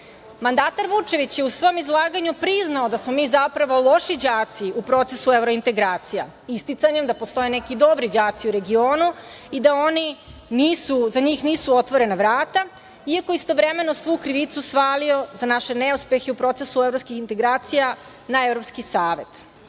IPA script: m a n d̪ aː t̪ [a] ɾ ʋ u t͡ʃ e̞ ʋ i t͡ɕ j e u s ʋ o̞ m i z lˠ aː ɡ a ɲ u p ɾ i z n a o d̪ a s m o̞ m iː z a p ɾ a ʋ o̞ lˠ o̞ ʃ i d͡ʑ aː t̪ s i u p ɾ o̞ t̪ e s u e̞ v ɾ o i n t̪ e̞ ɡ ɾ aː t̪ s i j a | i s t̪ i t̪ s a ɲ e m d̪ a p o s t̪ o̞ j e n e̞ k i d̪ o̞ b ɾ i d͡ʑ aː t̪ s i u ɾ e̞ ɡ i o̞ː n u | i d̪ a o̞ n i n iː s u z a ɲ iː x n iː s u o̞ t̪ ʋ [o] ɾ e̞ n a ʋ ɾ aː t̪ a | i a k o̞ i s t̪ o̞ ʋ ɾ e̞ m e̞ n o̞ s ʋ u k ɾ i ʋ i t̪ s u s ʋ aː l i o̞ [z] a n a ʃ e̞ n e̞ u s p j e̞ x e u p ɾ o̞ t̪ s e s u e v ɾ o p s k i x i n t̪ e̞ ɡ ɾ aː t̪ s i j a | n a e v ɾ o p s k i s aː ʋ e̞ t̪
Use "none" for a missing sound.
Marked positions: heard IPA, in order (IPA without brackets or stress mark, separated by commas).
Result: a, o, z